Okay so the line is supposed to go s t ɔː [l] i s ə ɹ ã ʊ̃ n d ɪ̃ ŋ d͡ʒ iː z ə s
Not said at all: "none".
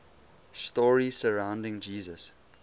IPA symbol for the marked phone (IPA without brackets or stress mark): ɹ